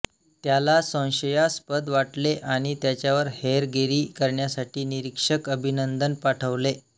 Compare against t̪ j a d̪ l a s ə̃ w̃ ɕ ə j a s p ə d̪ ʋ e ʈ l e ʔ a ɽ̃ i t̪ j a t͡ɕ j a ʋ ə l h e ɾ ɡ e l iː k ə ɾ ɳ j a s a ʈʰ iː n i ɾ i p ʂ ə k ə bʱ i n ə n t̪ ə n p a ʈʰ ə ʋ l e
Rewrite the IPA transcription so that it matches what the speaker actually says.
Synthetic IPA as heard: t̪ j a l a s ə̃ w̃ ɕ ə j a s p ə d̪ ʋ a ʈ l e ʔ a ɽ̃ i t̪ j a t͡ɕ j a ʋ ə ɾ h e ɾ ɡ e ɾ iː k ə ɾ ɳ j a s a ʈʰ iː n i ɾ i k ʂ ə k ə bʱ i n ə n d̪ ə n p a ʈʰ ə ʋ l e